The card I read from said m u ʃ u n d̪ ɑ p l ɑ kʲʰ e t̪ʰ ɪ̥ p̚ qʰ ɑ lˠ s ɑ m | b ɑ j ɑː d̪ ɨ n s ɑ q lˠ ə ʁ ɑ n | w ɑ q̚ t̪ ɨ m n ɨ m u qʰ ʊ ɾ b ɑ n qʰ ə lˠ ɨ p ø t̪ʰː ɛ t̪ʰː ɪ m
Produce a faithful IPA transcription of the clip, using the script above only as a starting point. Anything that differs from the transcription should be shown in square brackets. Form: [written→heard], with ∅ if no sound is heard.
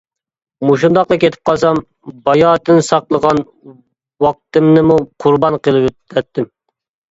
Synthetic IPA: m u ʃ u n d̪ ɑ [p→q] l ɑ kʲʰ e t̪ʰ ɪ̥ p̚ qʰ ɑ lˠ s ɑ m | b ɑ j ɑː [d̪→t̪] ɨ n s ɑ q lˠ ə ʁ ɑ n | w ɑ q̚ t̪ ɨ m n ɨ m u qʰ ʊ ɾ b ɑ n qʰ ə lˠ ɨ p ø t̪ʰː ɛ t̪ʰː ɪ m